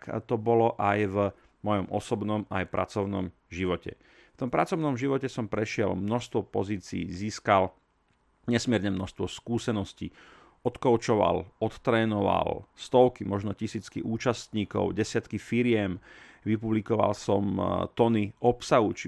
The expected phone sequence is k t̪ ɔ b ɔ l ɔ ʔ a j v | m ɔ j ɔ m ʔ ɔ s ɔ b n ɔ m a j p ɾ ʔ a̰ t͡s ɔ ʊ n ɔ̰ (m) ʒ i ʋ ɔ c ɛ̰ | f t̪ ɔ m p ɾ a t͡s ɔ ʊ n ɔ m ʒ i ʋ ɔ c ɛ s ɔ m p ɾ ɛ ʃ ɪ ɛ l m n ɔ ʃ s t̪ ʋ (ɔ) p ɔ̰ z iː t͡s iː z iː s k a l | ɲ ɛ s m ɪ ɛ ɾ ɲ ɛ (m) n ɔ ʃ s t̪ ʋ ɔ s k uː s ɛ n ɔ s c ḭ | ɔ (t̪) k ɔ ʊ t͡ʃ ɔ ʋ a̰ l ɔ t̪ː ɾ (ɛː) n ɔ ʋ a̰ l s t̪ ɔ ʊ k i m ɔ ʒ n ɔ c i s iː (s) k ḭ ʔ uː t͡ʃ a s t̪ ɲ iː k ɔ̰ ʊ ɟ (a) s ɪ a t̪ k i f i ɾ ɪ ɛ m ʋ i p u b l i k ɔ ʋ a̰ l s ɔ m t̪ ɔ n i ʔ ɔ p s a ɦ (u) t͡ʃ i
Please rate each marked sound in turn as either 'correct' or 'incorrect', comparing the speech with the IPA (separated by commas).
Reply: correct, correct, correct, correct, correct, incorrect, incorrect, correct